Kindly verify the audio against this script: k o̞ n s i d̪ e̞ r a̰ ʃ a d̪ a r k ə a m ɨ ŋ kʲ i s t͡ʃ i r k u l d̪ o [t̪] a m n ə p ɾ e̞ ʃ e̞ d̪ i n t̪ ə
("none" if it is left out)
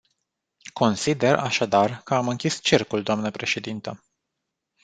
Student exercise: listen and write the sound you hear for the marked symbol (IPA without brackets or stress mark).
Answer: none